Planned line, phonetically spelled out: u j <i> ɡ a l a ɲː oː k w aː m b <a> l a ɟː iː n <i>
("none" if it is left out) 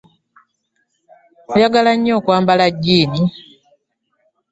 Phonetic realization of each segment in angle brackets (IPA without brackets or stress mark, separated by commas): a, a, i